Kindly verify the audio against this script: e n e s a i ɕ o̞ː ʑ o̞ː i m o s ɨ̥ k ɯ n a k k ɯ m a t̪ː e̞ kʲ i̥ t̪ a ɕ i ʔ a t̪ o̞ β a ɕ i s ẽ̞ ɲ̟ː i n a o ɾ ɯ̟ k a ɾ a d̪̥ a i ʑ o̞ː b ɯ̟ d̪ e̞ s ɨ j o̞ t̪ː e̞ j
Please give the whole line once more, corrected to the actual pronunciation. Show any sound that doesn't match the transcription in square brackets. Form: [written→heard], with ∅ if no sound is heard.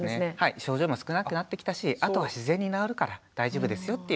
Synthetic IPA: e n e [s→h] a i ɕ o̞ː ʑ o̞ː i m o s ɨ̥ k ɯ n a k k ɯ [m→n] a t̪ː e̞ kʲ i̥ t̪ a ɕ i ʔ a t̪ o̞ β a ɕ i [s→z] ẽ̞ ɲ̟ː i n a o ɾ ɯ̟ k a ɾ a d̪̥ a i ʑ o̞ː b ɯ̟ d̪ e̞ s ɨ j o̞ t̪ː e̞ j